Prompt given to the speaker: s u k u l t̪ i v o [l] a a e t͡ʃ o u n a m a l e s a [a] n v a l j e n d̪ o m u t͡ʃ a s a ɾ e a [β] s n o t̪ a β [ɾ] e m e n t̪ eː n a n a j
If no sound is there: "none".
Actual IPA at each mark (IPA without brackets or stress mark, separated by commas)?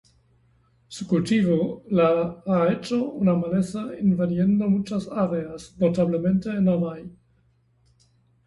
l, i, none, l